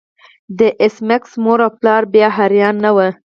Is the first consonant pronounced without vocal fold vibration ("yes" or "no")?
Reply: no